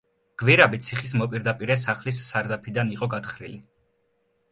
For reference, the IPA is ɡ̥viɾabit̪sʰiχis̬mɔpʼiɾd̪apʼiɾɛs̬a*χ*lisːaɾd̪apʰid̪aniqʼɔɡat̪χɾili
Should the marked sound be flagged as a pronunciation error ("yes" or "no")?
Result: no